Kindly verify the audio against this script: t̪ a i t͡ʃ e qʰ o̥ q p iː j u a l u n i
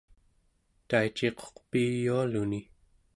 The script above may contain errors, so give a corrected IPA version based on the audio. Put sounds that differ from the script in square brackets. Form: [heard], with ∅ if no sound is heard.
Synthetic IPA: t̪ a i t͡ʃ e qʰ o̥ q p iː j u a l u n i